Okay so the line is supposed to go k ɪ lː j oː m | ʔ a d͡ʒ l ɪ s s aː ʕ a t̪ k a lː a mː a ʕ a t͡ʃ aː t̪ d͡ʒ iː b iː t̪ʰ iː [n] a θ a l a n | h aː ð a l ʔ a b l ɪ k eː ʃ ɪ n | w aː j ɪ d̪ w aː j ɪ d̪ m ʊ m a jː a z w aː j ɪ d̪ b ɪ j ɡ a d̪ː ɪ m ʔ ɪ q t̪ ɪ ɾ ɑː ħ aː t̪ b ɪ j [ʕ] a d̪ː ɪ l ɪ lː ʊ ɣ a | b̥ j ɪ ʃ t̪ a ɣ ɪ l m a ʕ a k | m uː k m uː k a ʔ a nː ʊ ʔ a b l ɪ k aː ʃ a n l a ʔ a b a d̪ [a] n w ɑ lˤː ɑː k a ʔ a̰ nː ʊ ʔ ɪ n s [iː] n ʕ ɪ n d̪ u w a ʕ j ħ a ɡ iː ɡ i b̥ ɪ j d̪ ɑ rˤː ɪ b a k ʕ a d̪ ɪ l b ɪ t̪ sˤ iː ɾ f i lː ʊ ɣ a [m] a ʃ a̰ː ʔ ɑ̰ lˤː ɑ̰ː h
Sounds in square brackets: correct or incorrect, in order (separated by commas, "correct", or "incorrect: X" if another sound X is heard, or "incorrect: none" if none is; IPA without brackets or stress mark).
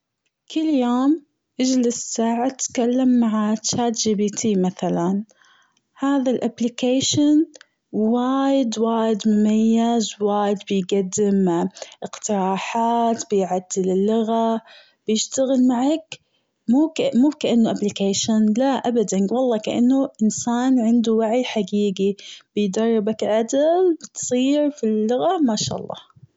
incorrect: m, correct, correct, incorrect: aː, correct